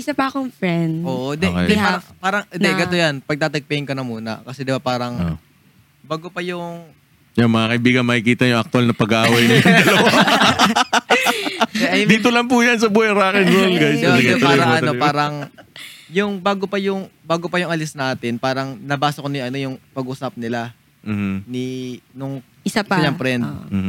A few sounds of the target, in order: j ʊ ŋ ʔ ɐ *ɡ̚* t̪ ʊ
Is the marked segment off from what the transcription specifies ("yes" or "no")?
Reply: yes